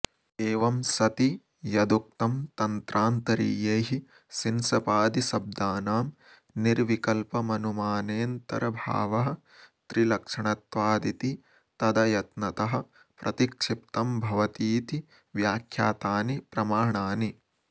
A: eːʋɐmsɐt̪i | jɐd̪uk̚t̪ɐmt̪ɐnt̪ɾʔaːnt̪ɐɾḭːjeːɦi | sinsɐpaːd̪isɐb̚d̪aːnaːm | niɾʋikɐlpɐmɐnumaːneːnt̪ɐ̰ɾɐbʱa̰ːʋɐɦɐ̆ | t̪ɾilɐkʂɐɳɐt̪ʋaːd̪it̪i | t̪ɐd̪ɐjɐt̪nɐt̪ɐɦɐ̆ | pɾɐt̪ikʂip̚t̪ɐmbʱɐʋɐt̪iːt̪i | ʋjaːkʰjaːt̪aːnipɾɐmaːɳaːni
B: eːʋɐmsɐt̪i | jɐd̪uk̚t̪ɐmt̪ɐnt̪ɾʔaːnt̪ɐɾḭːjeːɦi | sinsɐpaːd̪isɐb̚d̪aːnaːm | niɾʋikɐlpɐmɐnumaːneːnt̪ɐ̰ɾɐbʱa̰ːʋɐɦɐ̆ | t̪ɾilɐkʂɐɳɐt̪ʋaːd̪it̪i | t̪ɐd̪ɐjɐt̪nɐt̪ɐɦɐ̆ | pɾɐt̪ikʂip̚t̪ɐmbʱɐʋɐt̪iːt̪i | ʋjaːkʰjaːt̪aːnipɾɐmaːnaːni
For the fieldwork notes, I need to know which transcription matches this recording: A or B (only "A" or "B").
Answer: A